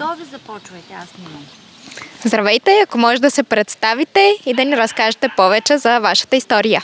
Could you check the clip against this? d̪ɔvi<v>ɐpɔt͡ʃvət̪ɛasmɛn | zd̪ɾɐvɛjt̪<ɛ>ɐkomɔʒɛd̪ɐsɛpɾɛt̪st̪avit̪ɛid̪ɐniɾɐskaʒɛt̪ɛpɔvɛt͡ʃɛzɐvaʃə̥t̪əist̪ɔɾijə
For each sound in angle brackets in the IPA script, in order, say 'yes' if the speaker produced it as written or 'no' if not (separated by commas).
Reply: no, yes